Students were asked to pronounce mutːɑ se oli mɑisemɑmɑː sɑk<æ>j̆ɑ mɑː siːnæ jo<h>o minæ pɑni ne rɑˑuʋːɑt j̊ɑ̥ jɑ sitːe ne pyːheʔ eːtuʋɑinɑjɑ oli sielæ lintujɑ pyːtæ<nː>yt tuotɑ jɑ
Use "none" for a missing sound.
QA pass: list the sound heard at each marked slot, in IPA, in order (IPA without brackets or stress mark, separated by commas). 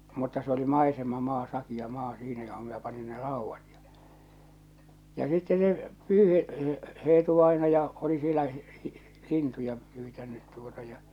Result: i, h, nː